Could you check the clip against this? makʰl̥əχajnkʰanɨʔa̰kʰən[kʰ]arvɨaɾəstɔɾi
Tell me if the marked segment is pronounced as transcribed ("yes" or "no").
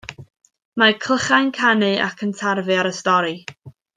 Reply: no